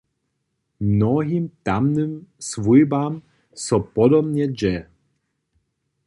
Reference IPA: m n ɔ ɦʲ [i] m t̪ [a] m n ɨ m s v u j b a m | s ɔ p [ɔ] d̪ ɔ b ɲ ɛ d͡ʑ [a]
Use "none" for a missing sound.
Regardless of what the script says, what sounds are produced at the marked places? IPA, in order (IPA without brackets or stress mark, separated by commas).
i, a, ɔ, ɛ